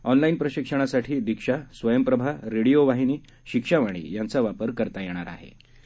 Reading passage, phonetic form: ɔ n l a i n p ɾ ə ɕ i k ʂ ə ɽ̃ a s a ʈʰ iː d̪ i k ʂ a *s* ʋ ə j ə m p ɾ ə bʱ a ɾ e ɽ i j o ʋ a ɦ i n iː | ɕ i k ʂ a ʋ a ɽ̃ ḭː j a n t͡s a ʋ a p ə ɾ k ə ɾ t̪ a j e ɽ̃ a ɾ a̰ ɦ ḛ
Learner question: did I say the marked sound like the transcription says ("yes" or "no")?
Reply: yes